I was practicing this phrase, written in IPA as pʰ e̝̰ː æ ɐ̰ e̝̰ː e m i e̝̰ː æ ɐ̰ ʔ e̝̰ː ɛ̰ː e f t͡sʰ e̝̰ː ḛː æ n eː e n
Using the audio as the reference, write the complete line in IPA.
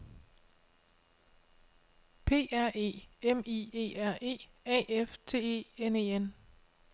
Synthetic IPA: pʰ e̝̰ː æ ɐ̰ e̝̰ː e m i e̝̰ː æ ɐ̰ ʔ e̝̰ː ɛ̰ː e f t͡sʰ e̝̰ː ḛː e n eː e n

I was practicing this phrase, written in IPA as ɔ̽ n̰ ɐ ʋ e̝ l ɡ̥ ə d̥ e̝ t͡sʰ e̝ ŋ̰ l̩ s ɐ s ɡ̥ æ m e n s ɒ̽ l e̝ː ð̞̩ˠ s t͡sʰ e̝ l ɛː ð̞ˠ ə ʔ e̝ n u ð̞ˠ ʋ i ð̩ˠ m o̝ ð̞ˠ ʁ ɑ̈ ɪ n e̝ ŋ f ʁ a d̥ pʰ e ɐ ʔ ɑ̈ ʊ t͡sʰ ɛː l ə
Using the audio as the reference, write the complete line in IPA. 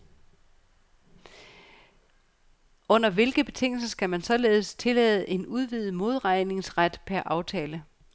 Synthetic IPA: ɔ̽ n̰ ɐ ʋ e̝ l ɡ̥ ə b̥ e̝ t͡sʰ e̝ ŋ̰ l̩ s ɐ s ɡ̥ æ m æ n s ɒ̽ l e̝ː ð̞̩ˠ s t͡sʰ e̝ l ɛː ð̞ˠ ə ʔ e̝ n u ð̞ˠ ʋ i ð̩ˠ m o̝ ð̞ˠ ʁ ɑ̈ ɪ n e̝ ŋ s ʁ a d̥ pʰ æ ɐ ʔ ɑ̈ ʊ t͡sʰ ɛː l ə

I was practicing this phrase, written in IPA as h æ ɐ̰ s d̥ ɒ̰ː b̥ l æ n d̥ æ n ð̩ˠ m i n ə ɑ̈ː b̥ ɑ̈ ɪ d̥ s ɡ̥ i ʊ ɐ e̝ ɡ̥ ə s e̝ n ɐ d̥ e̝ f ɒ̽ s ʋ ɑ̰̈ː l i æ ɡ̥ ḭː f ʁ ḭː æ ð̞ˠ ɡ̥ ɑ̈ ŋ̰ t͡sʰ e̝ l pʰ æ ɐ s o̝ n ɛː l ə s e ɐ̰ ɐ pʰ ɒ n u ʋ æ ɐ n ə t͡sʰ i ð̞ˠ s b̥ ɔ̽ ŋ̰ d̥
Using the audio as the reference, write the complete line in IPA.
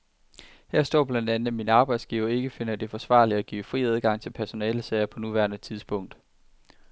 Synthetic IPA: h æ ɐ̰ s d̥ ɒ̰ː b̥ l æ n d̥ æ n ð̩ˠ m i n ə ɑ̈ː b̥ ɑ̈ ɪ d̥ s ɡ̥ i ʊ ɐ e̝ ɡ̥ ə f e̝ n ɐ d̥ e̝ f ɒ̽ s ʋ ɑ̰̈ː l i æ ɡ̥ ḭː f ʁ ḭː æ ð̞ˠ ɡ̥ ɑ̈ ŋ̰ t͡sʰ e̝ l pʰ æ ɐ s o̝ n ɛː l ə s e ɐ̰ ɐ pʰ ɒ n u ʋ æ ɐ n ə t͡sʰ i ð̞ˠ s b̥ ɔ̽ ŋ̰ d̥

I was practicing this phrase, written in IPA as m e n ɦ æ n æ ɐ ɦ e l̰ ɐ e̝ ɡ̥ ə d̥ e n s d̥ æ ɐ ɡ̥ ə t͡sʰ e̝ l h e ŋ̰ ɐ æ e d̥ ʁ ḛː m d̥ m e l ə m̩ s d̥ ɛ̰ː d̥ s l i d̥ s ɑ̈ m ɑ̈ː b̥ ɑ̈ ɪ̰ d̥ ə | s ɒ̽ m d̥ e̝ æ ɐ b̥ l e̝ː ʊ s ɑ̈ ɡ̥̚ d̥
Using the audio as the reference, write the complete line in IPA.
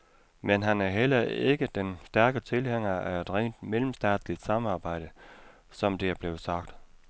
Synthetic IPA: m e n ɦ æ n æ ɐ ɦ e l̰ ɐ e̝ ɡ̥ ə d̥ e n s d̥ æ ɐ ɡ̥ ə t͡sʰ e̝ l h e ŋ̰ ɐ æ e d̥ ʁ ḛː n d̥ m e l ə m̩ s d̥ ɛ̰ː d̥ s l i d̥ s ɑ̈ m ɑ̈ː b̥ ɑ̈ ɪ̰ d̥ ə | s ɒ̽ m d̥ e̝ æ ɐ b̥ l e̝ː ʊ s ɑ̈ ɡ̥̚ d̥

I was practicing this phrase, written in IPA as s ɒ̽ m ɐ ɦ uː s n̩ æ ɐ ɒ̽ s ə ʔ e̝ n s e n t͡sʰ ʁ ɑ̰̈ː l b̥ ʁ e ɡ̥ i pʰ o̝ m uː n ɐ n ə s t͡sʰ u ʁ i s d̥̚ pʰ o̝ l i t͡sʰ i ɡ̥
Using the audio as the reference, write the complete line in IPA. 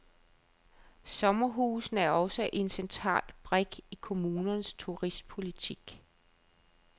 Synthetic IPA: s ɒ̽ m ɐ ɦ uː s n̩ æ ɐ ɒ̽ s ə ʔ e̝ n s e n t͡sʰ ʁ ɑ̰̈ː l b̥ ʁ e ɡ̥ i kʰ o̝ m uː n ɐ n ə s t͡sʰ u ʁ i s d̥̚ pʰ o̝ l i t͡sʰ i ɡ̥

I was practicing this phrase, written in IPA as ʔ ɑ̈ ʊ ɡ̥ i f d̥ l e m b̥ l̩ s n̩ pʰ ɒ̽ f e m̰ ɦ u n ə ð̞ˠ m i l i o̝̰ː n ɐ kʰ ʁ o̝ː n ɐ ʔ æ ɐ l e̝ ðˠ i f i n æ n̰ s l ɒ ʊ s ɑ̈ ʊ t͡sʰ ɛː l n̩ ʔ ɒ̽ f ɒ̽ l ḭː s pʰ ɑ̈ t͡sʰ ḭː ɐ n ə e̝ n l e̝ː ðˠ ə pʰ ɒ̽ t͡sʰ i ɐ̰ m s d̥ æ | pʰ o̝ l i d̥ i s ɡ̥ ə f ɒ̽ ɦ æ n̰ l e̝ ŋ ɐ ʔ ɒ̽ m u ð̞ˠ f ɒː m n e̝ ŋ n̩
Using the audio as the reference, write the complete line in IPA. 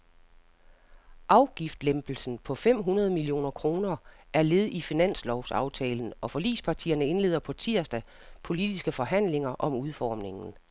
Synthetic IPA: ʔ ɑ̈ ʊ ɡ̥ i f d̥ l e m b̥ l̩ s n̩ pʰ ɒ̽ f e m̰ ɦ u n ɐ ð̞ˠ m i l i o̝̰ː n ɐ kʰ ʁ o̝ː n ɐ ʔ æ ɐ l e̝ ðˠ i f i n æ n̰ s l ɒ ʊ s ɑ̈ ʊ t͡sʰ ɛː l n̩ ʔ ɒ̽ f ɒ̽ l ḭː s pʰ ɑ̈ t͡sʰ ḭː ɐ n ə e̝ n l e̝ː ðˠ ɐ pʰ ɒ̽ t͡sʰ i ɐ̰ s d̥ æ | pʰ o̝ l i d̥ i s ɡ̥ ə f ɒ̽ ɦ æ n̰ l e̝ ŋ ɐ ʔ ɒ̽ m u ð̞ˠ f ɒː m n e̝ ŋ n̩

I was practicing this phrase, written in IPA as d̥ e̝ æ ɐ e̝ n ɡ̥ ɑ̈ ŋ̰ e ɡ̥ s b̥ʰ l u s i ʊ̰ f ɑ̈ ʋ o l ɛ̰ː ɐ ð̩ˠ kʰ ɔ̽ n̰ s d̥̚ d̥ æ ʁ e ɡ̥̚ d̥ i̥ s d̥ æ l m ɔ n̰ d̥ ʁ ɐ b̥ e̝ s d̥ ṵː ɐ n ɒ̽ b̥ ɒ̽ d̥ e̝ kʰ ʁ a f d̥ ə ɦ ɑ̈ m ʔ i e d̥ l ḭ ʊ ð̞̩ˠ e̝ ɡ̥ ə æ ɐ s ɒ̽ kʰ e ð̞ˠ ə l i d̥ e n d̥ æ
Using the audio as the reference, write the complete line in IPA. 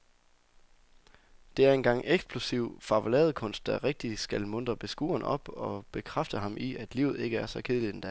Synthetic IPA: d̥ e̝ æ ɐ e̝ n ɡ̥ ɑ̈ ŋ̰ e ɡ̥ s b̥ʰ l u s i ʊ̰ f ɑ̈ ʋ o l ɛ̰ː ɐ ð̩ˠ kʰ ɔ̽ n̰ s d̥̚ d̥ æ ʁ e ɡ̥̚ d̥ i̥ s ɡ̥ æ l m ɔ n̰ d̥ ʁ ɐ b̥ e̝ s ɡ̥ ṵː ɐ n ɒ̽ b̥ ɒ̽ b̥ e̝ kʰ ʁ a f d̥ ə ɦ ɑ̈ m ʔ i æ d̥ l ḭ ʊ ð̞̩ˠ e̝ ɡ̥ ə æ ɐ s ɒ̽ kʰ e ð̞ˠ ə l i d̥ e n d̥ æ

